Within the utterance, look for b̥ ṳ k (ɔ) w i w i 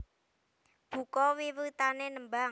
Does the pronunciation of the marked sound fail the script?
no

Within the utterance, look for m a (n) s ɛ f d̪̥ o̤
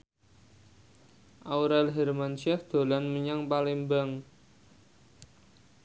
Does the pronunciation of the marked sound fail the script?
no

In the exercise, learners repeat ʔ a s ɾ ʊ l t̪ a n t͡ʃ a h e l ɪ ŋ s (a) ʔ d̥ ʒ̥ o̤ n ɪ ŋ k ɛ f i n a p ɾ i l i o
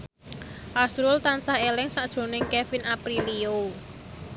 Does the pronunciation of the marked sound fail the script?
no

